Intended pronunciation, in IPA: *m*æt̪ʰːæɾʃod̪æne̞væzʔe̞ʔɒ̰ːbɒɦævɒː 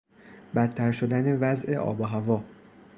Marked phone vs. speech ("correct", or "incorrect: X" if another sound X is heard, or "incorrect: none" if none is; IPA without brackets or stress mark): incorrect: b